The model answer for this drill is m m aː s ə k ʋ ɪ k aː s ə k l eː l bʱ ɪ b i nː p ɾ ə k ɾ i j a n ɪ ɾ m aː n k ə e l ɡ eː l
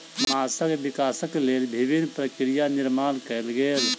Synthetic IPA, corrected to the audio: m m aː s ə k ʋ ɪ k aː s ə k l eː l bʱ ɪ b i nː p ɾ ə k ɾ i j a n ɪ ɾ m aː n k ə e l ɡ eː l